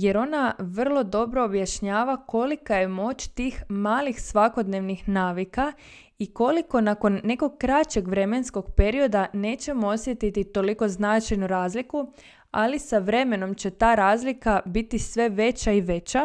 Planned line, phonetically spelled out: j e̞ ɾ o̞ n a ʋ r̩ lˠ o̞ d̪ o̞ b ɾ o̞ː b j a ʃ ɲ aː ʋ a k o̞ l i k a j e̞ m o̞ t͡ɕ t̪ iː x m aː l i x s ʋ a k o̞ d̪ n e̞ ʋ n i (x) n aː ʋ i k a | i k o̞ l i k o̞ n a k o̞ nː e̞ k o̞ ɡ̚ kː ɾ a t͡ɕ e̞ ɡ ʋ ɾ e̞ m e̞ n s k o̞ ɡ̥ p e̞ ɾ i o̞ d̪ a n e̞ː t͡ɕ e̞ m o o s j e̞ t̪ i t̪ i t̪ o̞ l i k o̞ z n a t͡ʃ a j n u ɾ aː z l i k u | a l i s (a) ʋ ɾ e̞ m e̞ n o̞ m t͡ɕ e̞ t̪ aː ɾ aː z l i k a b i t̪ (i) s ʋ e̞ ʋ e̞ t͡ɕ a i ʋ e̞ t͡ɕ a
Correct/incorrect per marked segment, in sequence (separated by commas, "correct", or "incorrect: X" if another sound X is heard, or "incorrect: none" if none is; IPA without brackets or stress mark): correct, correct, correct